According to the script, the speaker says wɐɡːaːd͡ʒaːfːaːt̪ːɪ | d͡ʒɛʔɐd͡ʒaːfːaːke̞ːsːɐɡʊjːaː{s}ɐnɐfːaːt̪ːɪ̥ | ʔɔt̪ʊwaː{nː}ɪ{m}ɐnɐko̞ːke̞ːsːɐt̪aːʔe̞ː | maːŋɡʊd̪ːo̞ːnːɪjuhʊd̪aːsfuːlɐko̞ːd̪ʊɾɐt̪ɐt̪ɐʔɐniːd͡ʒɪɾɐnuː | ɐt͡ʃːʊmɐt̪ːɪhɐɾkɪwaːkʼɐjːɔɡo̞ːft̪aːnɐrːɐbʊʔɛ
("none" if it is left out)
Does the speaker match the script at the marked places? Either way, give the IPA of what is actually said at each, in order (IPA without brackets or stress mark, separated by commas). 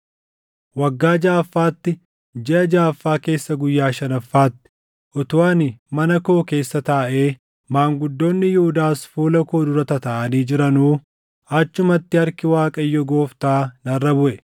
ʃ, n, m